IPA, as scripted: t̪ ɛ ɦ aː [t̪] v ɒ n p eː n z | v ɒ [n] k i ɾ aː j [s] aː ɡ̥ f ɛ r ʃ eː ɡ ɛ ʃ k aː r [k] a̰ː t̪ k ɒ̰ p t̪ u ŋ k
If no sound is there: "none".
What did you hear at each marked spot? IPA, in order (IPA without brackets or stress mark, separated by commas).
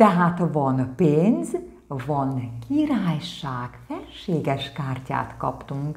t̪, n, ʃ, c